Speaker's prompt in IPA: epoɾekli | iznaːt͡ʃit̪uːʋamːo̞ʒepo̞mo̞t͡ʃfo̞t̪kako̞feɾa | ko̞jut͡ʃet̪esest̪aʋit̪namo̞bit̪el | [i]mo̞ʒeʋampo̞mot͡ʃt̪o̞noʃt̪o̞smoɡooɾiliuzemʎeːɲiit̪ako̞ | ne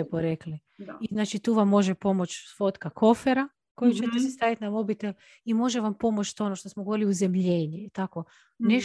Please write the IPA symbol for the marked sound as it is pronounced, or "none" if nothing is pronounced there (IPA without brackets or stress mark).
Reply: i